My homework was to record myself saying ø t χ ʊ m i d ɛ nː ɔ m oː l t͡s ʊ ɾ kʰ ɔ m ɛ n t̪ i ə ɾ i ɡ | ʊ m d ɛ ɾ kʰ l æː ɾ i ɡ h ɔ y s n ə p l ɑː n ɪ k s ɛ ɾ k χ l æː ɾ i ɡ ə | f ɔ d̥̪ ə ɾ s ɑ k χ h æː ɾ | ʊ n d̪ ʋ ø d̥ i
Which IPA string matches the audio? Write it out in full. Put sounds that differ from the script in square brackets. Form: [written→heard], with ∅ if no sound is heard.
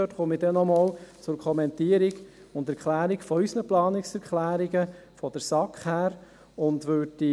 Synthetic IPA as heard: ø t χ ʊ m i d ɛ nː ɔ m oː l t͡s ʊ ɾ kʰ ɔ m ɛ n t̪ i ə ɾ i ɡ | ʊ [m→n] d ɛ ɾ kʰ l æː ɾ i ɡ [h→f] ɔ y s n ə p l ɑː n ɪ k s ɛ ɾ k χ l æː ɾ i ɡ ə | f ɔ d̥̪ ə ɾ s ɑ k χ h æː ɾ | ʊ n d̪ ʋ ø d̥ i